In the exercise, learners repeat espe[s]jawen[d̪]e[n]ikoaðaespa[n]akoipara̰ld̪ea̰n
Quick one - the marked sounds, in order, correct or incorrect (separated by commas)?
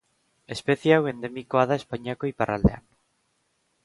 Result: incorrect, correct, incorrect, incorrect